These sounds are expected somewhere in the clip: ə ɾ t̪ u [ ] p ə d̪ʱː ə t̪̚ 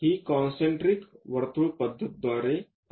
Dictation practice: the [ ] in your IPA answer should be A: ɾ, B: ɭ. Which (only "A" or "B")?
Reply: B